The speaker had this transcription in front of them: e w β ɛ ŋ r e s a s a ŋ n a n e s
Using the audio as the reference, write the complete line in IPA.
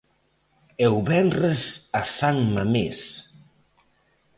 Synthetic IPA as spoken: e w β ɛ n r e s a s a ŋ m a m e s